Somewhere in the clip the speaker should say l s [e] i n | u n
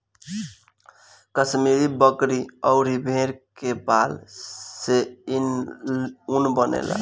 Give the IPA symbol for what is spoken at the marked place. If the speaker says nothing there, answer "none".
e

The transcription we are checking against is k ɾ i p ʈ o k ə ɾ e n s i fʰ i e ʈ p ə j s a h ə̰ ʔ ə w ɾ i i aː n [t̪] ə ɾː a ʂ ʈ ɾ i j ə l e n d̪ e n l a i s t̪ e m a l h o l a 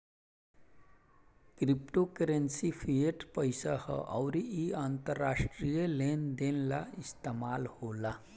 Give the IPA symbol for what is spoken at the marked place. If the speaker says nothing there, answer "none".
t̪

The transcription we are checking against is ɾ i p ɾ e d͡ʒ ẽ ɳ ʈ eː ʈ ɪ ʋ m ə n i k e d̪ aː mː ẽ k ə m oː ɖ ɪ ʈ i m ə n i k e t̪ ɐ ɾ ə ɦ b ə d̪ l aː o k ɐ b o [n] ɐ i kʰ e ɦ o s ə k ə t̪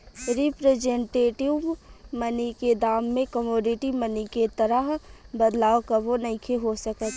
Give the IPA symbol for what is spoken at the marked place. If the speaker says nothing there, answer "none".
n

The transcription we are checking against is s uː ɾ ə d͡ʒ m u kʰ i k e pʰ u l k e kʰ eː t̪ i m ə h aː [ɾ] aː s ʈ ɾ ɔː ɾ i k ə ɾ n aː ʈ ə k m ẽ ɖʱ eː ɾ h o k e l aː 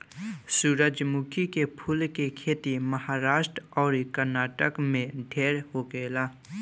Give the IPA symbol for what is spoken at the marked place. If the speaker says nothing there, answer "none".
ɾ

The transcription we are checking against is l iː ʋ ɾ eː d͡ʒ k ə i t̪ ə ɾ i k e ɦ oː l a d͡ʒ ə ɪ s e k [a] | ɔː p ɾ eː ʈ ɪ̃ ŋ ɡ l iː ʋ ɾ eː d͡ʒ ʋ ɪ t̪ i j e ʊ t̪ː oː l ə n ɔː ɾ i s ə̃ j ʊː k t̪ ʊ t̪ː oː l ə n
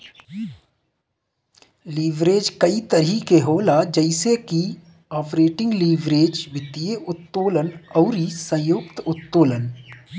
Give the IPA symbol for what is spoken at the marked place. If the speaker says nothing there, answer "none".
i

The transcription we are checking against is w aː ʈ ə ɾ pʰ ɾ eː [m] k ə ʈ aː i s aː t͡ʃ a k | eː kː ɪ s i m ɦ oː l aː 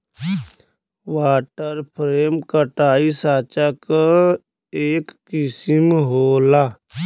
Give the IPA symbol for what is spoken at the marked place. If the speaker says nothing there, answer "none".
m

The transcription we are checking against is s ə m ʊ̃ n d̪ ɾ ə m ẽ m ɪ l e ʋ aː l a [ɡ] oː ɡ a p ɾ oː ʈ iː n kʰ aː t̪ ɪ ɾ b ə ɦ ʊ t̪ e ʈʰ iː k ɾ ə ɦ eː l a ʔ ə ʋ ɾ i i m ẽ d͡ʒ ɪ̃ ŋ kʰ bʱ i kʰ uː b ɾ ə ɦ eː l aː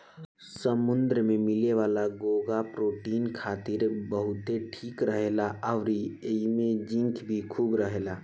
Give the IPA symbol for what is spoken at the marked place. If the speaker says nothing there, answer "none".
ɡ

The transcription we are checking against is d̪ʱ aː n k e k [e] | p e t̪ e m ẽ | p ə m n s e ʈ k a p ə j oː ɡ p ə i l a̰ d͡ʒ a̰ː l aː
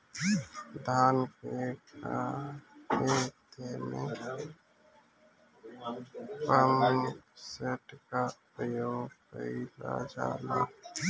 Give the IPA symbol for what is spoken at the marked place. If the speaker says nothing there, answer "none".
a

